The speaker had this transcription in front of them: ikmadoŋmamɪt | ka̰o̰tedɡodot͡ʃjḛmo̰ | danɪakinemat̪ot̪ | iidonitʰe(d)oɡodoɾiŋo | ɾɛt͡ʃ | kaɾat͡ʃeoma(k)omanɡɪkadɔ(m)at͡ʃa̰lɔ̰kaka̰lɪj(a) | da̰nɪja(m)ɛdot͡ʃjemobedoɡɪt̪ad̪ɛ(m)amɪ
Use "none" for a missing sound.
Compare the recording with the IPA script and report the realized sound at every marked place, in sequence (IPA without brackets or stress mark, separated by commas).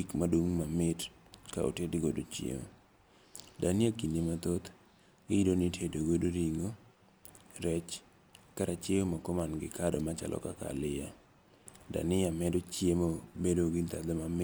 d, k, m, a, m, m